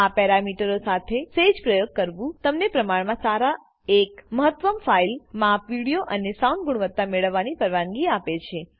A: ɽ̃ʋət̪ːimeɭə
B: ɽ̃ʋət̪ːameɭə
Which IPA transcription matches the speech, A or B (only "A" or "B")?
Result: B